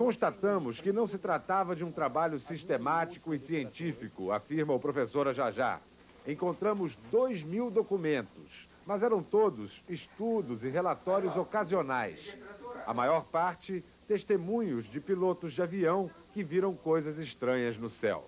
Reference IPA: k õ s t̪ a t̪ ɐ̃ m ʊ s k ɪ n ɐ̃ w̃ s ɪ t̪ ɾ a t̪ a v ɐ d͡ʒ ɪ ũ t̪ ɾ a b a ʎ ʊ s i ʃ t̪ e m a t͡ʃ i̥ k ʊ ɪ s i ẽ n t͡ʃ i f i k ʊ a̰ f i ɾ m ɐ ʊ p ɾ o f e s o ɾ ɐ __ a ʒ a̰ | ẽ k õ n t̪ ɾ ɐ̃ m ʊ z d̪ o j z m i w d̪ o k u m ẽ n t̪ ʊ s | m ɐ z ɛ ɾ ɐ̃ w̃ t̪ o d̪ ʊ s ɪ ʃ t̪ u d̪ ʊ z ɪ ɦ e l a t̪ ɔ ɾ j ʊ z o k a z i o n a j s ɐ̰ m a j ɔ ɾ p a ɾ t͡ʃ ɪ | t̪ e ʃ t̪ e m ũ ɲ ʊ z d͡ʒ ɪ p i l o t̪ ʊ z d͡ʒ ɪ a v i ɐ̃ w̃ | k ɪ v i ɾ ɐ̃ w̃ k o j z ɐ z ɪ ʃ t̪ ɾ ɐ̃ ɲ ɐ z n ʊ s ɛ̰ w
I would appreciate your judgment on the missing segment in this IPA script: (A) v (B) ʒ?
B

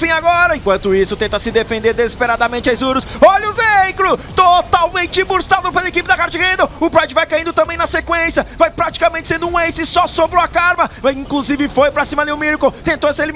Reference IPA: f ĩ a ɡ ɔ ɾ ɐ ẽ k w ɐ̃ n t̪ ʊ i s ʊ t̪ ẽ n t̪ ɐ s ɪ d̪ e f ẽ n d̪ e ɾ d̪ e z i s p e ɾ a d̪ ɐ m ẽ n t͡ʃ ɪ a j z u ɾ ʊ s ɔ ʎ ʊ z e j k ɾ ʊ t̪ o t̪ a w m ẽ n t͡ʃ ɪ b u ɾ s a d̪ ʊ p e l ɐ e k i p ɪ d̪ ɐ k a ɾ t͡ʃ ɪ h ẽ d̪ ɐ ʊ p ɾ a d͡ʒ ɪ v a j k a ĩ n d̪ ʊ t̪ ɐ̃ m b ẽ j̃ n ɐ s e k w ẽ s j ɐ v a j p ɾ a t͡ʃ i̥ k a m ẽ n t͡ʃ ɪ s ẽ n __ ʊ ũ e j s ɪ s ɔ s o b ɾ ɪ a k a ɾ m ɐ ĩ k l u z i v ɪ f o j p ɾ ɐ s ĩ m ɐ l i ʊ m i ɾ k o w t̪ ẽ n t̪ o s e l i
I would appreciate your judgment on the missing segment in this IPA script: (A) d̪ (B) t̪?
A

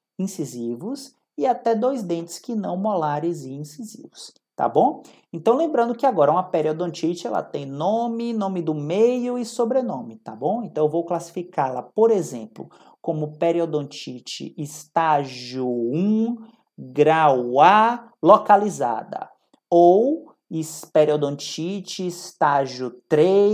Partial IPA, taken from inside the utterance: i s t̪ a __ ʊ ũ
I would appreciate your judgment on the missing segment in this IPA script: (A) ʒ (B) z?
A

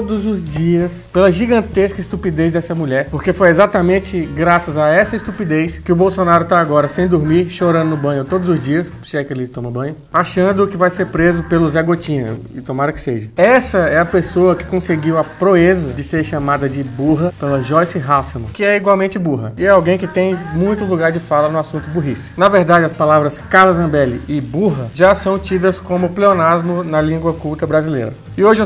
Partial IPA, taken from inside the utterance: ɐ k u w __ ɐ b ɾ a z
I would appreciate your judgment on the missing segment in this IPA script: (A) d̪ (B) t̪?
B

